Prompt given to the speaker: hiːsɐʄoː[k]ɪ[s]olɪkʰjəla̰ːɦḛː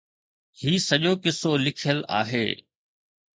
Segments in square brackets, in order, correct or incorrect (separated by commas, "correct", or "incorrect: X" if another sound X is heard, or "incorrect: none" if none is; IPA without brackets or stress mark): correct, correct